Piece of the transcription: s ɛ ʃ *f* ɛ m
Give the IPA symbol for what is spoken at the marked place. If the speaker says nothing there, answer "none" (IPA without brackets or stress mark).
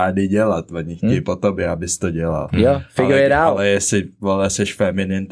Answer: f